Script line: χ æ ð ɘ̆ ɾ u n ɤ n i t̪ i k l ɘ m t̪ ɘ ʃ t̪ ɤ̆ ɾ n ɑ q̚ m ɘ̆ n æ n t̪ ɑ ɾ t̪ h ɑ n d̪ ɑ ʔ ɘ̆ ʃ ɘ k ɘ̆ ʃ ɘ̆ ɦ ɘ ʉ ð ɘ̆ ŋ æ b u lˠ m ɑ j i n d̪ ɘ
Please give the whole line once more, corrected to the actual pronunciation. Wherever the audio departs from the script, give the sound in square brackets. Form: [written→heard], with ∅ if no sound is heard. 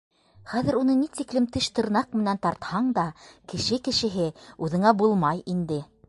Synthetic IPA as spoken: χ æ ð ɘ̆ ɾ u n ɤ n i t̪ i k l ɘ m t̪ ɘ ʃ t̪ ɤ̆ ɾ n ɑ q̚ m ɘ̆ n æ n t̪ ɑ ɾ t̪ h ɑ [n→ɴ] d̪ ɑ [ʔ→k] ɘ̆ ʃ ɘ k ɘ̆ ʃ ɘ̆ ɦ ɘ ʉ ð ɘ̆ ŋ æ b u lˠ m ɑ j i n d̪ ɘ